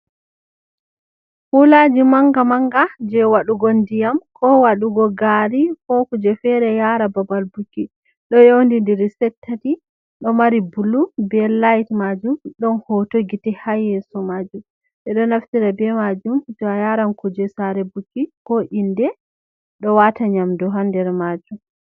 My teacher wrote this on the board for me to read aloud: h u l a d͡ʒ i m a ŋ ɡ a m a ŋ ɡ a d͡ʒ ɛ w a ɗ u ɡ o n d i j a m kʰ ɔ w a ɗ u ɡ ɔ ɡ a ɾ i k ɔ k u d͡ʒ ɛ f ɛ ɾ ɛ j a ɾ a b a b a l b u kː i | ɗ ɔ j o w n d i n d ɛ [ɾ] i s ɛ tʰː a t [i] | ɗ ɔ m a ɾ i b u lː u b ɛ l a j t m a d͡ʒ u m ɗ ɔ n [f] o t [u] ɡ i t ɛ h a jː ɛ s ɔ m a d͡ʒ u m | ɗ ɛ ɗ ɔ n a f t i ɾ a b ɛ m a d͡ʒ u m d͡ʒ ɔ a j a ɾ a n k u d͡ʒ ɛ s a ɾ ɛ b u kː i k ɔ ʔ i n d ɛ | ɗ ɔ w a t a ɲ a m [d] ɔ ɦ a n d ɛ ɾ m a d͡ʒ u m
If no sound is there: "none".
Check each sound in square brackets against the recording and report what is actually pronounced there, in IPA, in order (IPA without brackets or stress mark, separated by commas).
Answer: ɾ, i, h, o, d